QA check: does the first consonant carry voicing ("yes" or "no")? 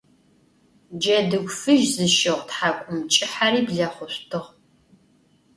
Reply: yes